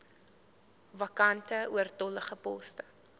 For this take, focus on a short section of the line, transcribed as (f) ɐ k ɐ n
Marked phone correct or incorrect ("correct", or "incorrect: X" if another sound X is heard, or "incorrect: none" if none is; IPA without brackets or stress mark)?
incorrect: v